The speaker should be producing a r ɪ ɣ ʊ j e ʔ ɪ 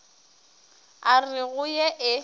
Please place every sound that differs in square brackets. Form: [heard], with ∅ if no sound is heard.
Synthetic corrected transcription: a r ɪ ɣ ʊ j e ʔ ɪ